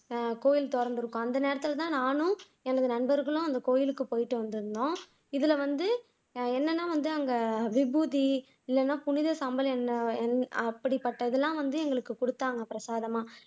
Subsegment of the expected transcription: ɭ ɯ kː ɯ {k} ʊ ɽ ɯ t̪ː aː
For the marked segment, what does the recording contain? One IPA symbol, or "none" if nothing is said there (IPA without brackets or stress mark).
k